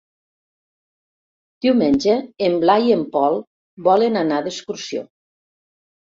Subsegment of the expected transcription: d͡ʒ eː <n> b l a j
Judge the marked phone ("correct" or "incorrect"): incorrect